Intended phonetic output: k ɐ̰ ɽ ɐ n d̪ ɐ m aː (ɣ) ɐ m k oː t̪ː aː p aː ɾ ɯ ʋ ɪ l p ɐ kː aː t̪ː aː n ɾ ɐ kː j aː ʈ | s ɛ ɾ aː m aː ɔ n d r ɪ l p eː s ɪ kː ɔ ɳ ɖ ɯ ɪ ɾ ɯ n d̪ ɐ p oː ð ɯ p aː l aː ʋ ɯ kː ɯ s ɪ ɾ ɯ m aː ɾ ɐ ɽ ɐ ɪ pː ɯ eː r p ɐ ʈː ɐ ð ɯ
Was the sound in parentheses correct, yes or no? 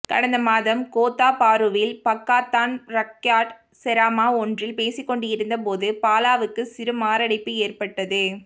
no